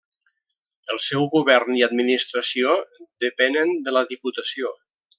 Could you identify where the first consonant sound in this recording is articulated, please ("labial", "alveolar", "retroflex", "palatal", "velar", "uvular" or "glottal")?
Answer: alveolar